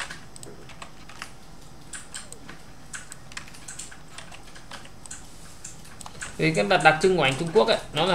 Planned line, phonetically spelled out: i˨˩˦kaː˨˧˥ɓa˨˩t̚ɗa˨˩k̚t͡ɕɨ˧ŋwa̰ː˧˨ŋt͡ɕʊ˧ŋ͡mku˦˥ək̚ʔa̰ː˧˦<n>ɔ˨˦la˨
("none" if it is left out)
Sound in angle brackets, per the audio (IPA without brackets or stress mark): n